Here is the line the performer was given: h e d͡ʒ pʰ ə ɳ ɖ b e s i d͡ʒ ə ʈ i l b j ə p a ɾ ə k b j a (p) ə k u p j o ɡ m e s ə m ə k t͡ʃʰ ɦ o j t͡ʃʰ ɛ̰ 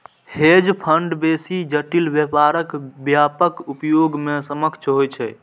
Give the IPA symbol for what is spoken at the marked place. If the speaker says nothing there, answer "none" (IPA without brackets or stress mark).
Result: p